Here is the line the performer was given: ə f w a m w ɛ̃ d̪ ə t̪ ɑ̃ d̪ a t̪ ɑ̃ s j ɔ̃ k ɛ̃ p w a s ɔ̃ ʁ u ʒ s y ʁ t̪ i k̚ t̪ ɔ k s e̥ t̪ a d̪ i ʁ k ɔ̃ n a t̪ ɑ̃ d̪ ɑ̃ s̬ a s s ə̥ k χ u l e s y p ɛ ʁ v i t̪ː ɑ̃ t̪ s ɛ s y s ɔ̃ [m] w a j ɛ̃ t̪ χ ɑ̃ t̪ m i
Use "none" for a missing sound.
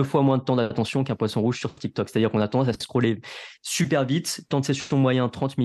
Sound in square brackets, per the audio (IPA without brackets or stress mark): m